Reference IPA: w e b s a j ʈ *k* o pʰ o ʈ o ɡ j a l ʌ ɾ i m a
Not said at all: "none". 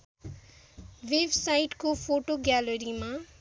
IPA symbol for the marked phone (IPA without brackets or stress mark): k